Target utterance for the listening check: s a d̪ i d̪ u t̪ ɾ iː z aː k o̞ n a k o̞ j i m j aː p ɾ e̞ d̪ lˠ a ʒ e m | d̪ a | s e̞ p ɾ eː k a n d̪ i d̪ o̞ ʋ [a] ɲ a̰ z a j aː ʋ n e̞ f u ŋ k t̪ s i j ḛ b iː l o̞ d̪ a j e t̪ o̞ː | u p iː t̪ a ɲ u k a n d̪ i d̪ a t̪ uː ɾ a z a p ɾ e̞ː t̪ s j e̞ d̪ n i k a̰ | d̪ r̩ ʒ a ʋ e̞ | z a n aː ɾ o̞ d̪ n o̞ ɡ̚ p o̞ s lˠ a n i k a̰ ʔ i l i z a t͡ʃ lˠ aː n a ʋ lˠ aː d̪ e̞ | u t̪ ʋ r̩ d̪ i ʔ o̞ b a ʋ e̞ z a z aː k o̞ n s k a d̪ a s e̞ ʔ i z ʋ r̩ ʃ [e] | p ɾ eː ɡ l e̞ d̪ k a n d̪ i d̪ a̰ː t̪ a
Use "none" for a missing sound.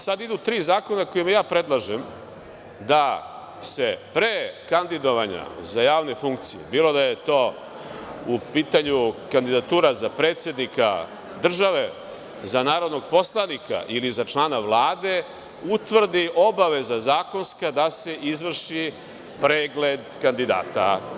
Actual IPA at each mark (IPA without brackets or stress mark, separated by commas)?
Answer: a, i